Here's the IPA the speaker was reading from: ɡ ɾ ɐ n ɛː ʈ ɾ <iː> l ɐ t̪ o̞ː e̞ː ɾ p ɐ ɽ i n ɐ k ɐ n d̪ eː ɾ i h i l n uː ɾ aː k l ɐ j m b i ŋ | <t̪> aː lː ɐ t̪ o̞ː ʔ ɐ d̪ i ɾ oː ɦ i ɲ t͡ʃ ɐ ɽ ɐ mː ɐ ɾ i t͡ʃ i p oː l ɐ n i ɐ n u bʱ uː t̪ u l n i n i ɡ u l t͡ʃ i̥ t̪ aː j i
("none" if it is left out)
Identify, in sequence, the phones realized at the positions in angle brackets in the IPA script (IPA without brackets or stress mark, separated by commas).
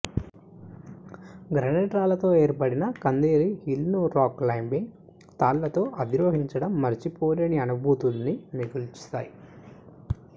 aː, t̪